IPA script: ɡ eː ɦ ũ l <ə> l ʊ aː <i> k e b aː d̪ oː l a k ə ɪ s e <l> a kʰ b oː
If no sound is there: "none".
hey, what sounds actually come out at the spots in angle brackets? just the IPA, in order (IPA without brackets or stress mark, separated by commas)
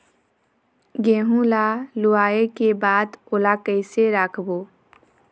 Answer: a, e, ɾ